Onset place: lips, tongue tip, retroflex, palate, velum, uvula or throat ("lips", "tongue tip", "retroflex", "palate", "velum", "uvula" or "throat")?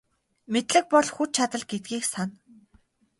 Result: lips